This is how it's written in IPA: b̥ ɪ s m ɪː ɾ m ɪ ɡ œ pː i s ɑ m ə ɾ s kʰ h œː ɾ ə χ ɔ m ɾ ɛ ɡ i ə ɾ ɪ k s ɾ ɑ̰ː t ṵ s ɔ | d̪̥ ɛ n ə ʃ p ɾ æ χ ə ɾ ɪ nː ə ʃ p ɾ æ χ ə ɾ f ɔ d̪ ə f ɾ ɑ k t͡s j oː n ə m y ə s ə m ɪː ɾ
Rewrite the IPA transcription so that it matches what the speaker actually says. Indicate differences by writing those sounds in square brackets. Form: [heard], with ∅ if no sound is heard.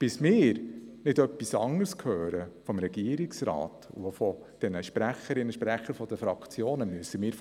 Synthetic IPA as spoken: b̥ ɪ s m ɪː ɾ [n] ɪ [d] œ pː i s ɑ [ŋ] ə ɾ s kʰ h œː ɾ ə [f] ɔ m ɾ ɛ ɡ i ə ɾ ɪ k s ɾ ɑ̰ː t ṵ [f] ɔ | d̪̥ ɛ n ə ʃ p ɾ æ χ ə ɾ ɪ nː ə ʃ p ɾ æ χ ə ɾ f ɔ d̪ ə f ɾ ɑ k t͡s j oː n ə m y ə s ə m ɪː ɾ